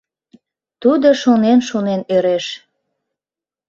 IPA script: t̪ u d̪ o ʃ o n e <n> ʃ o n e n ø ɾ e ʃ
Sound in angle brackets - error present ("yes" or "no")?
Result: no